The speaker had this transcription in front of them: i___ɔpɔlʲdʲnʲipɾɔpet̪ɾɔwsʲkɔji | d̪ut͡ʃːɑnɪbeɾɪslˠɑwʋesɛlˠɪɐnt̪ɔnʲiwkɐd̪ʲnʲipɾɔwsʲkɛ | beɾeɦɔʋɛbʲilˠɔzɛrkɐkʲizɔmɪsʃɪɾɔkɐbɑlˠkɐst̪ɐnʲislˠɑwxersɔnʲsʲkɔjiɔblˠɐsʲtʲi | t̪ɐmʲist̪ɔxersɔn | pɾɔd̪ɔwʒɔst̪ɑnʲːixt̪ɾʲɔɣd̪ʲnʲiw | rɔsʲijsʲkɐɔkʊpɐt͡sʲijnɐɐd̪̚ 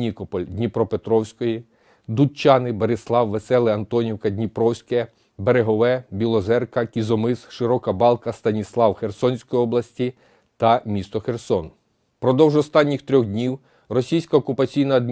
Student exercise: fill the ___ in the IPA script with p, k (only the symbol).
k